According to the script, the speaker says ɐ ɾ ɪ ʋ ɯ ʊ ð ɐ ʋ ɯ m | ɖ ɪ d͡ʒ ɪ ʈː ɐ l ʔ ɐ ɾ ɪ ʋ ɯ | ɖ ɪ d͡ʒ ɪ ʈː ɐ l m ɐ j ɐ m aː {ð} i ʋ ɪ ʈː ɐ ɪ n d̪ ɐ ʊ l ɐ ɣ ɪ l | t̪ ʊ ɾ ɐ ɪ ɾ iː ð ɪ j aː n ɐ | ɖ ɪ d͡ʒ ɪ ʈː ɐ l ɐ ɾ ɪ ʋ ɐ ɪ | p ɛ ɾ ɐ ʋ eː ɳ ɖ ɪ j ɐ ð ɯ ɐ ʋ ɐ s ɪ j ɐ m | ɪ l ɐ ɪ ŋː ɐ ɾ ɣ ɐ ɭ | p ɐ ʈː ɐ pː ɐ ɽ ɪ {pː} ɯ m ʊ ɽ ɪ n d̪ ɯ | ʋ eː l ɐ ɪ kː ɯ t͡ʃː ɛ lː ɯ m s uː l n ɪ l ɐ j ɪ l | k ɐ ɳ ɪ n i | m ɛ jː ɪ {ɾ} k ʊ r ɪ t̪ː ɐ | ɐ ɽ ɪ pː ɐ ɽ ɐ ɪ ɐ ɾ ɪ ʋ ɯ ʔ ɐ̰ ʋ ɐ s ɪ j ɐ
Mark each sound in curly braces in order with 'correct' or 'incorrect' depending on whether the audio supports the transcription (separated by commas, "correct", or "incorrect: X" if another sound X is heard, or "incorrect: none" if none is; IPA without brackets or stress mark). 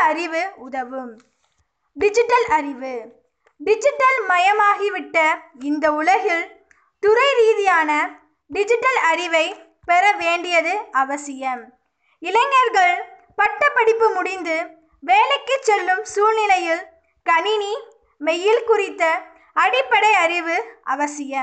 incorrect: ɣ, correct, incorrect: l